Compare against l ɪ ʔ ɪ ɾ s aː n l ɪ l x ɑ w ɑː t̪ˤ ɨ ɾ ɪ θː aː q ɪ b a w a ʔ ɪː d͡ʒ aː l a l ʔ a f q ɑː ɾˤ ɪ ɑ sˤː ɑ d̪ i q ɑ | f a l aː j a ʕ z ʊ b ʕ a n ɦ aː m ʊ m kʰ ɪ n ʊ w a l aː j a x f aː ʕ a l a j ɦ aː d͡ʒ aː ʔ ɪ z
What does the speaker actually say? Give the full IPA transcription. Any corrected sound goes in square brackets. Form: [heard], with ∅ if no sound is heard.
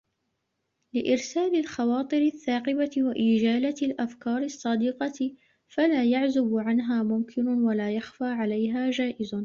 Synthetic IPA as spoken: l ɪ ʔ ɪ ɾ s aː [∅] l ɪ l x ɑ w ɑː t̪ˤ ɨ ɾ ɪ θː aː q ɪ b a w a ʔ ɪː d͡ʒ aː l a l ʔ a f [k] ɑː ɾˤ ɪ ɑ sˤː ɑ d̪ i q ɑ | f a l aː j a ʕ z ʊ b ʕ a n ɦ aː m ʊ m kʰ ɪ n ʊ w a l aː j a x f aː ʕ a l a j ɦ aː d͡ʒ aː ʔ ɪ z